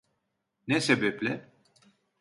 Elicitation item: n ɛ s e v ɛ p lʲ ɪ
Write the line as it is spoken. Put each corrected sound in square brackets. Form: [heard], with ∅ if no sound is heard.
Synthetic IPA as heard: n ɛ s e [b] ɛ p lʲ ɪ